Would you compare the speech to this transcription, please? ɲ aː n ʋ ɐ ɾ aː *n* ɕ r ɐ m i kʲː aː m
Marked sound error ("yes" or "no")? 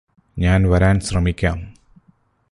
no